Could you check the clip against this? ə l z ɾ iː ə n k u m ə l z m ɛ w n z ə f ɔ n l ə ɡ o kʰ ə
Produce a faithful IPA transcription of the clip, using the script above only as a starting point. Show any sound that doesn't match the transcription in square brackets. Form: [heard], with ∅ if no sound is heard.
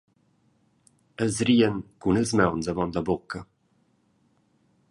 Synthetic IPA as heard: ə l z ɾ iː ə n k u [n] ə l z m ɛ w n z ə [v] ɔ n l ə [b] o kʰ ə